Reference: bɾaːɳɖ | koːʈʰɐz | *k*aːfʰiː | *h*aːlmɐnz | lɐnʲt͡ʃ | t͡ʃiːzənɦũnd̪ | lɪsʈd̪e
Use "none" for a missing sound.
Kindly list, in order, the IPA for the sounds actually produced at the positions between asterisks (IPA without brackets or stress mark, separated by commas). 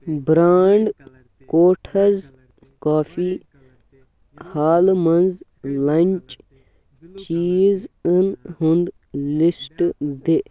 k, h